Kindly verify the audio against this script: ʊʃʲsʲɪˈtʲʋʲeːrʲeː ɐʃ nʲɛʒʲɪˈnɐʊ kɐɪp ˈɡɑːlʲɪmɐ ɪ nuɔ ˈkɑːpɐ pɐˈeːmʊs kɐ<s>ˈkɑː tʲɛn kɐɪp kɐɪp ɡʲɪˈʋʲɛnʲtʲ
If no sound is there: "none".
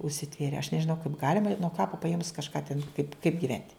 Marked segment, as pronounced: ʃ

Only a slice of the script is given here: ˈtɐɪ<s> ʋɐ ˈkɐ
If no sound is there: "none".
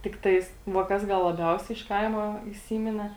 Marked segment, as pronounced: s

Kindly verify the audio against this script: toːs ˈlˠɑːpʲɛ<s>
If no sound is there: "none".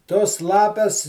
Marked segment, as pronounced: s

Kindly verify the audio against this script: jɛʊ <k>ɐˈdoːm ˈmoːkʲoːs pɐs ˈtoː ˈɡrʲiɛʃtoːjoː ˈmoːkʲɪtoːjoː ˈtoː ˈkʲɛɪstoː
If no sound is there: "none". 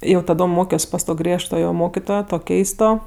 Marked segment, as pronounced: t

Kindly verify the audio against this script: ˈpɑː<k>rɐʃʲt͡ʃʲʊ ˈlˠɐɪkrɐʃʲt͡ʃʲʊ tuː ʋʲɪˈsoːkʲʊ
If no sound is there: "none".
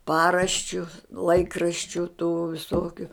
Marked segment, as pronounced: none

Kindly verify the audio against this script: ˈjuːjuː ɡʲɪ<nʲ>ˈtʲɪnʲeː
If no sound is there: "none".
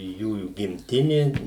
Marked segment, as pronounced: mʲ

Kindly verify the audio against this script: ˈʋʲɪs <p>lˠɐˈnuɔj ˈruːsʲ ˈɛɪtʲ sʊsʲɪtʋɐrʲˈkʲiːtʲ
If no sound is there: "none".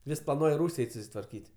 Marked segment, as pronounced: p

